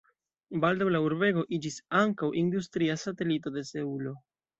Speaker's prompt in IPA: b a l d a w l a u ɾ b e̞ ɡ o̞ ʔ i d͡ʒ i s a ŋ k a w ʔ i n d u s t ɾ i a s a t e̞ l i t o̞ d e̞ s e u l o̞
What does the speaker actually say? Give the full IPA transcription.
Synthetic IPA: b a l d a w l a u ɾ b e̞ ɡ o̞ ʔ i d͡ʒ i s a ŋ k a w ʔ i n d u s t ɾ i a s a t e̞ l i t o̞ d e̞ s e u l o̞